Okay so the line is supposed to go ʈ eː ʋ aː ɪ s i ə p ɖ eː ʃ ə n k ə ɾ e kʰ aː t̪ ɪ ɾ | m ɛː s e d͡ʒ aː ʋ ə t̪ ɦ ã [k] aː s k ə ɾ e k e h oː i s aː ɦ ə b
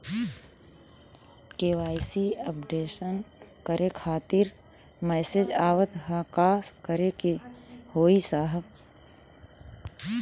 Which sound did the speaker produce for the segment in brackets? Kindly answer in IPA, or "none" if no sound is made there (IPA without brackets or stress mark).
k